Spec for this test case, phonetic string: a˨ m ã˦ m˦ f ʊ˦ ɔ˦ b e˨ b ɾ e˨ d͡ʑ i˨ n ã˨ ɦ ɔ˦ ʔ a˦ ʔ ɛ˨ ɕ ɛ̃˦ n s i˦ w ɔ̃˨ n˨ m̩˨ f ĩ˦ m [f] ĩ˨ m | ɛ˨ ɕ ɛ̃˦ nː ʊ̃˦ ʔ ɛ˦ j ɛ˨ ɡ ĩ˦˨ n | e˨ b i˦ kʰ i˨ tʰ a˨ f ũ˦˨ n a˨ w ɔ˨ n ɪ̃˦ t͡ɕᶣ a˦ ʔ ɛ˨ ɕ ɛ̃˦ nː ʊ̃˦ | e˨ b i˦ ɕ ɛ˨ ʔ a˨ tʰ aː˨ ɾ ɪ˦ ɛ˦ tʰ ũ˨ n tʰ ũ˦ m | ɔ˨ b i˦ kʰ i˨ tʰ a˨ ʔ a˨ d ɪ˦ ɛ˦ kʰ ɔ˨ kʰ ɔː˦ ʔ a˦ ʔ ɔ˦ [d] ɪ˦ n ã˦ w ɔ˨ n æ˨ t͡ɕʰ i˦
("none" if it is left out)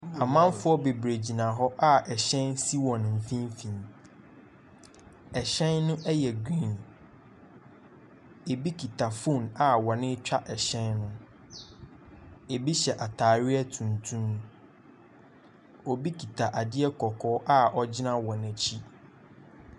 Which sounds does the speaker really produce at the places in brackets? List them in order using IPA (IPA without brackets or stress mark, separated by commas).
f, d͡ʑ